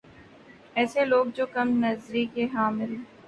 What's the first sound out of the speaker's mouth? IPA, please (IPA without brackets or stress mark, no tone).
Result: ɛː